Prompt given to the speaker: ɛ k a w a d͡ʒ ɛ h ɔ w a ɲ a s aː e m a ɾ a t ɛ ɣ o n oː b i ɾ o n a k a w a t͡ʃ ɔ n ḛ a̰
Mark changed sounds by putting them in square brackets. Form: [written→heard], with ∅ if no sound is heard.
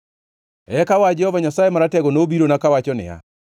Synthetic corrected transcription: ɛ k a w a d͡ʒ ɛ h ɔ [w→v] a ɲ a s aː e m a ɾ a t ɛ ɣ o n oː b i ɾ o n a k a w a t͡ʃ ɔ n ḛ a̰